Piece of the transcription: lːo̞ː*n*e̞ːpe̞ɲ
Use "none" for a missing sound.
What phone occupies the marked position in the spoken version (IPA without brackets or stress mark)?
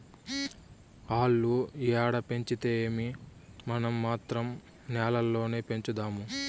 n